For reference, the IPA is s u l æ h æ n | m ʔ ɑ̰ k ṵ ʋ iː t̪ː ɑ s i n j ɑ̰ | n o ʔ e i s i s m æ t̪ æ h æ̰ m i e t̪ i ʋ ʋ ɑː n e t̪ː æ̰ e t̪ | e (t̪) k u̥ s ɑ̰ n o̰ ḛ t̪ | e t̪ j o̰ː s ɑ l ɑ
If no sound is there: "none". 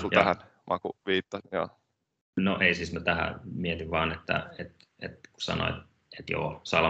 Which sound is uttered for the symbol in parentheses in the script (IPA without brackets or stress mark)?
t̪